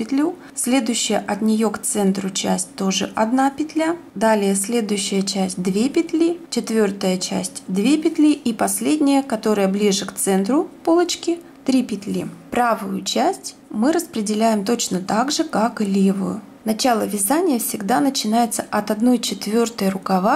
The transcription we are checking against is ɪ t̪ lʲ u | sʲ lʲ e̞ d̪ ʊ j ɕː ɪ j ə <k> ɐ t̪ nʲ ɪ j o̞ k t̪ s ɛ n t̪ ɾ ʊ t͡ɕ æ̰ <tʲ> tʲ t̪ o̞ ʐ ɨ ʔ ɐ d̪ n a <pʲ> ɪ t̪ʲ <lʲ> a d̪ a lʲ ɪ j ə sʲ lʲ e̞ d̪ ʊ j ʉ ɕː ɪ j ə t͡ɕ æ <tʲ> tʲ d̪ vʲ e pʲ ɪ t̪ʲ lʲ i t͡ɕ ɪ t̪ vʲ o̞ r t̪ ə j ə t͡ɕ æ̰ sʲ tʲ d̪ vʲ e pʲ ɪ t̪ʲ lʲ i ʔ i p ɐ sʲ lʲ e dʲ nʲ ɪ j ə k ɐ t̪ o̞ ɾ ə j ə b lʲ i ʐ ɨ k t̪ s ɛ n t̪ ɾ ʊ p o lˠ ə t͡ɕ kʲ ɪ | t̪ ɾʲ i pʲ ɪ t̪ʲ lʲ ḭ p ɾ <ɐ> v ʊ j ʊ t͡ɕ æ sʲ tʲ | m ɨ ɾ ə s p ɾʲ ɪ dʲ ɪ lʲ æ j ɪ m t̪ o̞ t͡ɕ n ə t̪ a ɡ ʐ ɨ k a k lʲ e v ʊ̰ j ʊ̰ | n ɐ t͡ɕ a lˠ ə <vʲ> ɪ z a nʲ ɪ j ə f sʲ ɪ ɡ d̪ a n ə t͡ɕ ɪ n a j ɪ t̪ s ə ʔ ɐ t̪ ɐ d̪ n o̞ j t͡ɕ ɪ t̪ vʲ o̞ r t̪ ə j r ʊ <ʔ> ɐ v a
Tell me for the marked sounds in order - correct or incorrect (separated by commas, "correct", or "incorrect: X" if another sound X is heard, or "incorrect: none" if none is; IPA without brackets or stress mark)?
incorrect: ʔ, incorrect: sʲ, correct, correct, incorrect: sʲ, incorrect: a, correct, incorrect: k